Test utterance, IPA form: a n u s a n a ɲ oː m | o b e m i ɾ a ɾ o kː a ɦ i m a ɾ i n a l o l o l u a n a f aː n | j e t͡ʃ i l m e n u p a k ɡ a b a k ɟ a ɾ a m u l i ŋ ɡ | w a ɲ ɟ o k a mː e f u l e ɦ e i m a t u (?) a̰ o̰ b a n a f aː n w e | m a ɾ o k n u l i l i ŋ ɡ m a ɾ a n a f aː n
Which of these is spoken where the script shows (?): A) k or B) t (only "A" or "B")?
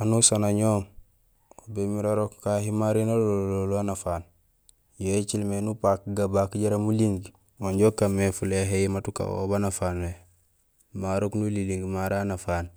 A